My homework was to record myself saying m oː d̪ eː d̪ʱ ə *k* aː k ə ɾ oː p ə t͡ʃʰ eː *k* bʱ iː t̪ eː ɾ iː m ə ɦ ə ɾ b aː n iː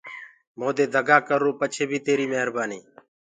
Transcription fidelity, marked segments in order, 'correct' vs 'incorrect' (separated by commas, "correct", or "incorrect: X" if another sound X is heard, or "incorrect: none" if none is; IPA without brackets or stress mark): incorrect: ɡ, incorrect: none